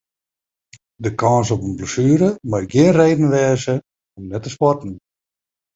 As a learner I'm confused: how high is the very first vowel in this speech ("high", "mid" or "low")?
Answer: mid